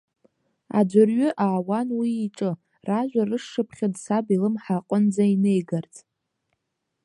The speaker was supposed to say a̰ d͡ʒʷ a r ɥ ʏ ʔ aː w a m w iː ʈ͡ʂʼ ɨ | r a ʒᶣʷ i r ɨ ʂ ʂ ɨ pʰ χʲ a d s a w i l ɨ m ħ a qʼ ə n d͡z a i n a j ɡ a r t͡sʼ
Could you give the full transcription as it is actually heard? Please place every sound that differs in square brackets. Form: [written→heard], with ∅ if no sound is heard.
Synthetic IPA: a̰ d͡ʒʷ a r ɥ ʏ ʔ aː w a [m→n] w iː ʈ͡ʂʼ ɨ | r a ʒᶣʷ [i→a] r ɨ ʂ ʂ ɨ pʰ χʲ a d s a [w→b] i l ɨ m ħ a qʼ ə n d͡z a i n [a→e] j ɡ a r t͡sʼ